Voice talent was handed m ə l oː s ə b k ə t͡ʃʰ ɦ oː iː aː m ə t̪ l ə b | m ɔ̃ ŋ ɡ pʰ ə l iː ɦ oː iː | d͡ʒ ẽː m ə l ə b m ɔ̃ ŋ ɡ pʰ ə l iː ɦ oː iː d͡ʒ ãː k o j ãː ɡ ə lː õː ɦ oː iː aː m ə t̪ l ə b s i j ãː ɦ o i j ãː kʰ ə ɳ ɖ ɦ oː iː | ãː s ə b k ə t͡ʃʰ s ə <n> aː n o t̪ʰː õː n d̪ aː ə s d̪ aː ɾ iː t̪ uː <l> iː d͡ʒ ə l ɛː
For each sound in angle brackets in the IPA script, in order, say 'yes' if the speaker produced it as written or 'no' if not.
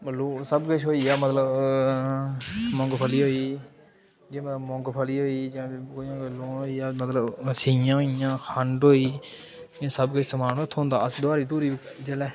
no, no

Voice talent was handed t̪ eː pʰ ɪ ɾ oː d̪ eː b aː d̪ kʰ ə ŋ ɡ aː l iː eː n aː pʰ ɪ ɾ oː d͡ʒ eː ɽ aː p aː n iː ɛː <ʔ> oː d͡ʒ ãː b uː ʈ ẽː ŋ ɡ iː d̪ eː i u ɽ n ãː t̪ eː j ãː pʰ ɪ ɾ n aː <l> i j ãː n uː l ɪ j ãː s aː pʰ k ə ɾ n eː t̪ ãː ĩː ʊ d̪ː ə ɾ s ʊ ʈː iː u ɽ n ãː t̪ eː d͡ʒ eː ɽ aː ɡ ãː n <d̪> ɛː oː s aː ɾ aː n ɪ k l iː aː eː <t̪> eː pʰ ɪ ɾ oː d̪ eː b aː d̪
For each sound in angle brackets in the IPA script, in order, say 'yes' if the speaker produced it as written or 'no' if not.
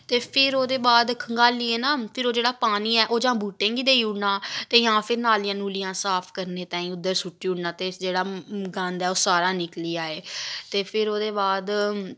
yes, yes, yes, yes

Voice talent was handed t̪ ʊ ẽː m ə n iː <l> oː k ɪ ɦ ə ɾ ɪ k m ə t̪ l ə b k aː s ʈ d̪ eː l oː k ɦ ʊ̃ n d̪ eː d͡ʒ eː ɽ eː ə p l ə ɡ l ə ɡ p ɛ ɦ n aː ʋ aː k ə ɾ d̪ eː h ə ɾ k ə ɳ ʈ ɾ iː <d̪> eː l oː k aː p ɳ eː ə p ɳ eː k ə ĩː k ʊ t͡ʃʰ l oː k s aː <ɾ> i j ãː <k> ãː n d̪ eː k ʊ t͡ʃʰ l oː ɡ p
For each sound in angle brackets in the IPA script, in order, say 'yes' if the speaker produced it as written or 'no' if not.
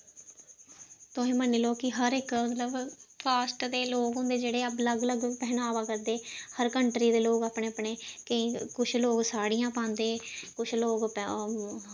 yes, yes, no, no

